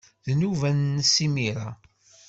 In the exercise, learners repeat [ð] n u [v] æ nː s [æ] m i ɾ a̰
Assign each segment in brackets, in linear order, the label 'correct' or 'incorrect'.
correct, correct, incorrect

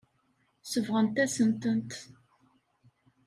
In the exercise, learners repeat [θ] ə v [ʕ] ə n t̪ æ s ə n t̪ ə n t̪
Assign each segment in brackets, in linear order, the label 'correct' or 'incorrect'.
incorrect, incorrect

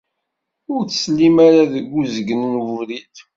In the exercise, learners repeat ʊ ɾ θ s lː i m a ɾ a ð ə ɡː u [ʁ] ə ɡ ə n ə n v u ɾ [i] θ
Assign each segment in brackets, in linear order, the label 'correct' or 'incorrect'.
incorrect, correct

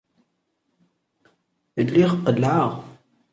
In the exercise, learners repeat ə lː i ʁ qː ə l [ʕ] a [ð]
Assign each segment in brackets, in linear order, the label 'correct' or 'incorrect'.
correct, incorrect

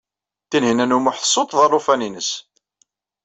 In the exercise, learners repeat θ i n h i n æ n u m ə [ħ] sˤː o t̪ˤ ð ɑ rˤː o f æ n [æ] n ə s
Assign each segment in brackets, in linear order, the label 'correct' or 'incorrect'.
correct, incorrect

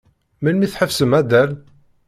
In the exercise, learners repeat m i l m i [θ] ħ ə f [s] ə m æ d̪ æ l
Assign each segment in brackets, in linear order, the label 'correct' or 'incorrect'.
correct, correct

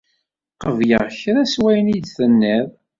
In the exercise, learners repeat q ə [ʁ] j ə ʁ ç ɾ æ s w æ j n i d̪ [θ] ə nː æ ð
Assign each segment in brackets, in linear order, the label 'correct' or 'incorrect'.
incorrect, correct

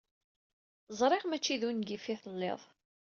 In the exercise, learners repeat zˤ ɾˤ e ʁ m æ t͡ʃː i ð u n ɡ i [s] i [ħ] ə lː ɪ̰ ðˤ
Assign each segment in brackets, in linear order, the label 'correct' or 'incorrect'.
incorrect, incorrect

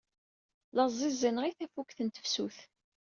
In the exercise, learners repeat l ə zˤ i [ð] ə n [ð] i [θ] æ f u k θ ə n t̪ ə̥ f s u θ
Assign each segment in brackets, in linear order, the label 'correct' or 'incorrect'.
incorrect, incorrect, correct

